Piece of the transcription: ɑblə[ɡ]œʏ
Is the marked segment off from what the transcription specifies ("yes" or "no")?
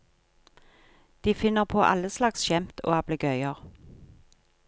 no